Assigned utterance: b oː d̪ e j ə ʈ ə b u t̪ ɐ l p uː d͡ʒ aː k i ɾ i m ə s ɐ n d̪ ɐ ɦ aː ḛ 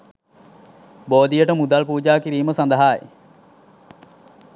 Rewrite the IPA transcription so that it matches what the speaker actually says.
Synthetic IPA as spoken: b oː d̪ i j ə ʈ ə m u d̪ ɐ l p uː d͡ʒ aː k i ɾ iː m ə s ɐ n d̪ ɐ ɦ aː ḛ